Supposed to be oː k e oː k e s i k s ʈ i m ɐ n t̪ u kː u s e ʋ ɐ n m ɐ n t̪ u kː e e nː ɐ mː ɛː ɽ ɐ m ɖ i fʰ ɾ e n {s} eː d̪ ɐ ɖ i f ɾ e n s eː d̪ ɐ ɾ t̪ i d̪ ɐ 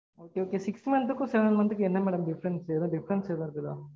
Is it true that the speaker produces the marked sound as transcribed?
yes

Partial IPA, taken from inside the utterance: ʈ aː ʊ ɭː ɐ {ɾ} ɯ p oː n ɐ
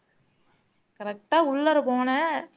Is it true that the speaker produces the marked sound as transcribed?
yes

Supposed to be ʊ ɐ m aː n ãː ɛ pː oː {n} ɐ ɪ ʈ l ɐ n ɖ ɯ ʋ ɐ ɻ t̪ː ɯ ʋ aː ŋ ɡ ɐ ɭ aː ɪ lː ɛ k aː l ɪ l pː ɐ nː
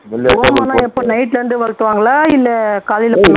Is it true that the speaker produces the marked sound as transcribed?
yes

